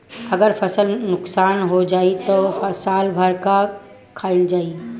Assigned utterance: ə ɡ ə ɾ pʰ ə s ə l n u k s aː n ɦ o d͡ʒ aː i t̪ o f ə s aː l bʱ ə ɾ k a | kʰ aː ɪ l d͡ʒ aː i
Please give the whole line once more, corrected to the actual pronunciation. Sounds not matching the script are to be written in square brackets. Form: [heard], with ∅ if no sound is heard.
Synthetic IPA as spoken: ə ɡ ə ɾ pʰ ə s ə l n [ʊ] k s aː n ɦ o d͡ʒ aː i t̪ o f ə s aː l bʱ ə ɾ k a | kʰ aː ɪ l d͡ʒ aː i